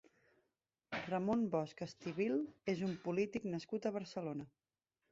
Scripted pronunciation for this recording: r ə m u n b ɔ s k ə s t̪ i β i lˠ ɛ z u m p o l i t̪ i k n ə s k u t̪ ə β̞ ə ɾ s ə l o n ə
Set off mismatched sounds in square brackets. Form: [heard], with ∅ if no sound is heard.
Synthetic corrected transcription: r ə m [o] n b ɔ s k ə s t̪ i β i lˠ [e] z u m p [u] l i t̪ i k n ə s k u t̪ ə β̞ ə ɾ s ə l o n ə

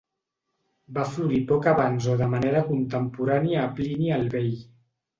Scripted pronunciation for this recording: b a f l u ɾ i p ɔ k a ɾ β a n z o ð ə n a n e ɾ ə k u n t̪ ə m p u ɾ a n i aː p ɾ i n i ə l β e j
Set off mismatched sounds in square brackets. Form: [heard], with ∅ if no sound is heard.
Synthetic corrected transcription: b a f l u ɾ i p ɔ k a [∅] β a n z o ð ə [m] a n e ɾ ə k u n t̪ ə m p u ɾ a n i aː p [l] i n i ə l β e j

